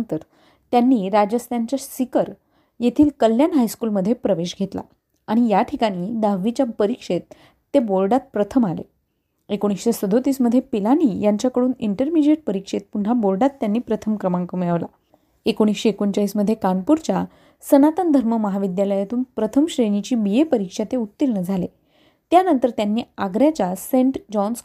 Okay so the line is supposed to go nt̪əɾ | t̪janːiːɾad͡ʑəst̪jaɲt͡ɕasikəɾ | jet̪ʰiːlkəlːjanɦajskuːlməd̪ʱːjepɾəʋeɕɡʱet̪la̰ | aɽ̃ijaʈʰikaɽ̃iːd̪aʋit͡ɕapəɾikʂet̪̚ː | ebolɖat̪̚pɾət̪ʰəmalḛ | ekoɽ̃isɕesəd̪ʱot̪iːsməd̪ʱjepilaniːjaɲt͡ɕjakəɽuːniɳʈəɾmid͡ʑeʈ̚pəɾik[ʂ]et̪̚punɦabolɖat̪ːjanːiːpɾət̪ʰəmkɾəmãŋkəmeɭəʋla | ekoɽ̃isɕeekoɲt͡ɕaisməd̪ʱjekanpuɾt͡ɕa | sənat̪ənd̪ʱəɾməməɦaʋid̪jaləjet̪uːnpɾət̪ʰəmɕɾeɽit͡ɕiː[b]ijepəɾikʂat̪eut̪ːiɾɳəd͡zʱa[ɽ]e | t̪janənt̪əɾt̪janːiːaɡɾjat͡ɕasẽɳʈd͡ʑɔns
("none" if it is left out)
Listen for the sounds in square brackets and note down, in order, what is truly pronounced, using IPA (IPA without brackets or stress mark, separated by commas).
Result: ʂ, b, l